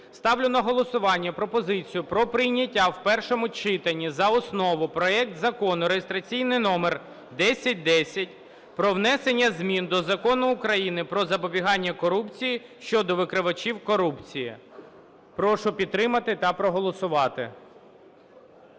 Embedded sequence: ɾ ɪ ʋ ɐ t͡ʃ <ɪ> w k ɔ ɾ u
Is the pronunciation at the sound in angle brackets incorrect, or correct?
incorrect